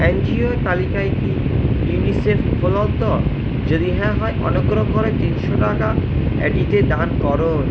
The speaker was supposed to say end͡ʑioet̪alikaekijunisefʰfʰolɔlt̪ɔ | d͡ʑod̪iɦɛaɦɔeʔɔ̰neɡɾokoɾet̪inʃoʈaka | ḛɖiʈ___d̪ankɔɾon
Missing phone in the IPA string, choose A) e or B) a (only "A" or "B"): A